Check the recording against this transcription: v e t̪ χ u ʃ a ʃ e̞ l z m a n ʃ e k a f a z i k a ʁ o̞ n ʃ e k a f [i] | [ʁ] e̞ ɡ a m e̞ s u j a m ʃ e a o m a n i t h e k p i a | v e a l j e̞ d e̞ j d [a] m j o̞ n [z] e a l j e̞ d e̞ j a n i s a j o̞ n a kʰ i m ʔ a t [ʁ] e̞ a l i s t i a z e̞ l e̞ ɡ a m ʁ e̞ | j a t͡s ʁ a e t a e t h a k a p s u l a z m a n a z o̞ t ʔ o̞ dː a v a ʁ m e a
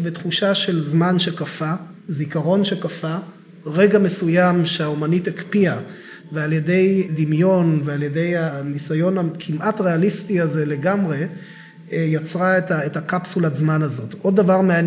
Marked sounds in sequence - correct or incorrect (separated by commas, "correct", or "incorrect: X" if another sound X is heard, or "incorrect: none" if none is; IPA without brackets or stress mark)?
incorrect: a, correct, incorrect: i, incorrect: v, correct